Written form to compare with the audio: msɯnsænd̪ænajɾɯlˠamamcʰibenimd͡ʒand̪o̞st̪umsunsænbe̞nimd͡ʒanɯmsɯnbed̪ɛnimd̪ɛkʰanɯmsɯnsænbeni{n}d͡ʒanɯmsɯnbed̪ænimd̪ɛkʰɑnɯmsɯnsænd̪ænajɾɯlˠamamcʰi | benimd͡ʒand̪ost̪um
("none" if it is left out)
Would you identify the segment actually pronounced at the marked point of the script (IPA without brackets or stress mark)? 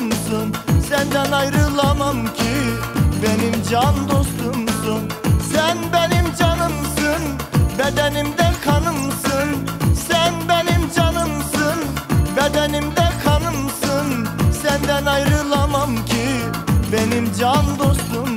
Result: m